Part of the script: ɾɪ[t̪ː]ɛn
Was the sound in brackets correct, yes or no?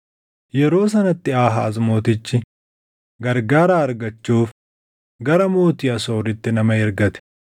yes